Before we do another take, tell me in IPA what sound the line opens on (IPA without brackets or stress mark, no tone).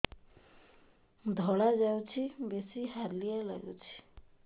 d̪ʱ